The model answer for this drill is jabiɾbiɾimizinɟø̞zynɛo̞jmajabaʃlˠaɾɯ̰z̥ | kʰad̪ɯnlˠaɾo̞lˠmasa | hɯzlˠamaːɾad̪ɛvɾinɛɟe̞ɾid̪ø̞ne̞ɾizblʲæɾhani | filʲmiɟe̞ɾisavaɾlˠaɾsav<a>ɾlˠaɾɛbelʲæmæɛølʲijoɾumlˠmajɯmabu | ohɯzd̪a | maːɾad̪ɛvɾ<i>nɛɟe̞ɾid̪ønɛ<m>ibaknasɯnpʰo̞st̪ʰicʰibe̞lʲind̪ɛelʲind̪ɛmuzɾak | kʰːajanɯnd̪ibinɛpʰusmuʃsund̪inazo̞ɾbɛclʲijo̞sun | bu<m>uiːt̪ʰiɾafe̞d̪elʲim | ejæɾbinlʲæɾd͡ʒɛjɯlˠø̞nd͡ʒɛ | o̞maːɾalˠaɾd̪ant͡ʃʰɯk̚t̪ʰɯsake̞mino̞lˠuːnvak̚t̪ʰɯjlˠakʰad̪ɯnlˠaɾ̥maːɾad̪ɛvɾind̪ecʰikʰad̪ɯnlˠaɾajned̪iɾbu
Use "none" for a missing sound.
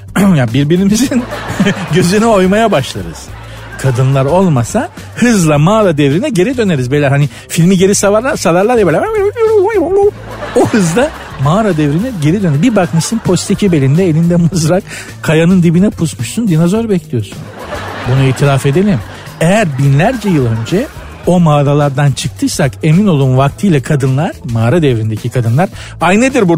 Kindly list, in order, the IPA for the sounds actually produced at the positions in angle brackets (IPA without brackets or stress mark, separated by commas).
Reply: a, i, b, n